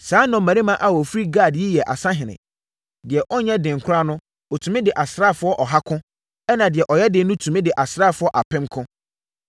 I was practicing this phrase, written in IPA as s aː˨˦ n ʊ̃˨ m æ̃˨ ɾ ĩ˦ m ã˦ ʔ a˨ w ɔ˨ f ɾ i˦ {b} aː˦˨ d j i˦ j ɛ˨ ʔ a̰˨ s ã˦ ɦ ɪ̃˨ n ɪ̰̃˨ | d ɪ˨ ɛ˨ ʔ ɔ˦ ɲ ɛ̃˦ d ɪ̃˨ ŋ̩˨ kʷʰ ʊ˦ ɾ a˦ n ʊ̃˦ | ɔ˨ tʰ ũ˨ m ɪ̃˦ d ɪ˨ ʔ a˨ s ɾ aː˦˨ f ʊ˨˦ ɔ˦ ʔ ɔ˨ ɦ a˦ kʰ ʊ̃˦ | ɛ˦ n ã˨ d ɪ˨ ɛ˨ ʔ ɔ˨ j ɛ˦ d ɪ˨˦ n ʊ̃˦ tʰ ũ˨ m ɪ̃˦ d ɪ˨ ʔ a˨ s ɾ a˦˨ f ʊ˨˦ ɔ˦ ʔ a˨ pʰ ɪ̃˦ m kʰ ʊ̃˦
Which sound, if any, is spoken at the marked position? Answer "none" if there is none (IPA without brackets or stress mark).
ɡ